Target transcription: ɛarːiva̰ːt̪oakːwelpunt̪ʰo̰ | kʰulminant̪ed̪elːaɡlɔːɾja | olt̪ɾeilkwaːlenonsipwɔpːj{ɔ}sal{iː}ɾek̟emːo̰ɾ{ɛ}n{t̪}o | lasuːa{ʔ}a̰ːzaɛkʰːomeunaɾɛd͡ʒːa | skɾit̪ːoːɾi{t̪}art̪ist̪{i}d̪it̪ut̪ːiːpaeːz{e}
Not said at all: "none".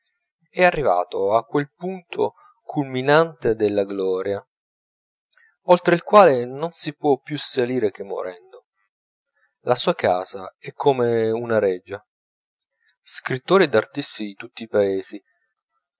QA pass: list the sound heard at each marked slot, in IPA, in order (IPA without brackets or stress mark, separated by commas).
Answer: u, iː, ɛ, d̪, k, d̪, i, i